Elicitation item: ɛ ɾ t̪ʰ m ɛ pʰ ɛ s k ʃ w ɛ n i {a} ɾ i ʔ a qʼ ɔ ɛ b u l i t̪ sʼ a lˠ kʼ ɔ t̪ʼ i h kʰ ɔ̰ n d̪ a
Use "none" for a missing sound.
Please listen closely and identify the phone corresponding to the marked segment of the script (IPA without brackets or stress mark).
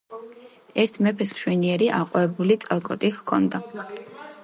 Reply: ɛ